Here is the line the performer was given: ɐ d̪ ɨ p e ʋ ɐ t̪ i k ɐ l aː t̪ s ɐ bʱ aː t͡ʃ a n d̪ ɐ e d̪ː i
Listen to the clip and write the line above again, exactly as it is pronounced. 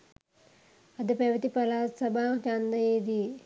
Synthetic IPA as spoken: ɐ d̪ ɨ p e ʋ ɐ t̪ i p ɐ l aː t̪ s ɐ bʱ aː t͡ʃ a n d̪ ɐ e d̪ i